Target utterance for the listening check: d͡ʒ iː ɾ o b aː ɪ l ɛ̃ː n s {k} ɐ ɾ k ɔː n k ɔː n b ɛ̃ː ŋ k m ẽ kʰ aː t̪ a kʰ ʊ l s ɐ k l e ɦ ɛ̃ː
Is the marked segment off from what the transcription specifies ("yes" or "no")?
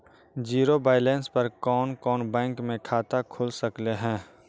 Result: yes